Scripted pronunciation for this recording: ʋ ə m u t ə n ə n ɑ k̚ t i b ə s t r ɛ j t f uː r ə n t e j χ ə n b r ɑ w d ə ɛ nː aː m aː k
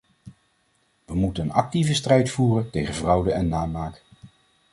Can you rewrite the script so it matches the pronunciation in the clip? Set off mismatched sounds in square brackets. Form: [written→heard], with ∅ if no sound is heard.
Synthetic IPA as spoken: ʋ ə m u t ə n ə n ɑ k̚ t i [b→v] ə s t r ɛ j t f uː r ə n t e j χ ə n [b→v] r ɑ w d ə ɛ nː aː m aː k